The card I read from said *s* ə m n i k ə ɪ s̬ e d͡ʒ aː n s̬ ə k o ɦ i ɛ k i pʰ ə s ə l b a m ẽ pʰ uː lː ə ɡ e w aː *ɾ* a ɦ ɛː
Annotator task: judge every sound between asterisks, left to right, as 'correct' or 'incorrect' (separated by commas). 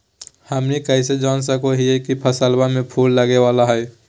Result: incorrect, incorrect